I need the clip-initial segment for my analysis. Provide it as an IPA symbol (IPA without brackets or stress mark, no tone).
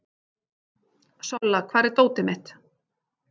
s